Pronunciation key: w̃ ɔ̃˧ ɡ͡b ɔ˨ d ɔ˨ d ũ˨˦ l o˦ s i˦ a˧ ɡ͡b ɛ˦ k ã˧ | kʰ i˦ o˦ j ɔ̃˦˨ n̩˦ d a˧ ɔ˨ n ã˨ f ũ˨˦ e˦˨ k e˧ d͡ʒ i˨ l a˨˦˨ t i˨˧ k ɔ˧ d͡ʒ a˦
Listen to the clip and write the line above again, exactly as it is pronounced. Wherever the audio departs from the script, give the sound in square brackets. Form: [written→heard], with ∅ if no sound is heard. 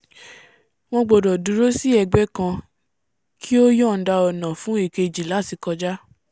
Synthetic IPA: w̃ ɔ̃˧ ɡ͡b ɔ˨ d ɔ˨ d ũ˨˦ [l→ɾ] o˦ s i˦ [a˧→ɛ˧] ɡ͡b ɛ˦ k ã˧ | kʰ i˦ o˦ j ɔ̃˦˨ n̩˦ d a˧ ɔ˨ n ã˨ f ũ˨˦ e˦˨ k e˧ d͡ʒ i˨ l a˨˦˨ t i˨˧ k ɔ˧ d͡ʒ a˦

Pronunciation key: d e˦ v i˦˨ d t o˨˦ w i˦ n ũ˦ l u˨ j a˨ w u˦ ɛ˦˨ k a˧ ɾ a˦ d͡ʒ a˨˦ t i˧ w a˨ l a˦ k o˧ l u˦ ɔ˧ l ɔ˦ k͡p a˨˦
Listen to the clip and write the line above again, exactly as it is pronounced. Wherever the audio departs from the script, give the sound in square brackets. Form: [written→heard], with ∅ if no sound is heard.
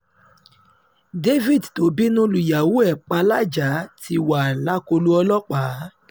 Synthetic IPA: d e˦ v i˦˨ d t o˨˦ [w→b] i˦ n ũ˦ l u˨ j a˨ w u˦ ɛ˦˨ [k→k͡p] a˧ [ɾ→l] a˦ d͡ʒ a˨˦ t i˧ w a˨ l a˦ k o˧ l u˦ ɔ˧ l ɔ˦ k͡p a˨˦

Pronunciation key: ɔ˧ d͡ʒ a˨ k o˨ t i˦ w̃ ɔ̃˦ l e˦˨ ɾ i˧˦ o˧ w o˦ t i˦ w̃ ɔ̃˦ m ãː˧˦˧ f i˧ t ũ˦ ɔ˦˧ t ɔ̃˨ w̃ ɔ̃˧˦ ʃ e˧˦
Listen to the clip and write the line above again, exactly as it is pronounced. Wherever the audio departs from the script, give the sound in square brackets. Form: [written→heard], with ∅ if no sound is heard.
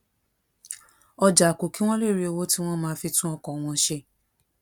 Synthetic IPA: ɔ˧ d͡ʒ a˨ k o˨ [t→k] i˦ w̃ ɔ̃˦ l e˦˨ ɾ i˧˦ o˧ w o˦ t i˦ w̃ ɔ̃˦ m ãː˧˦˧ f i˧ t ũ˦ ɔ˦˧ [t→k] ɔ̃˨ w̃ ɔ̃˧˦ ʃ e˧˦

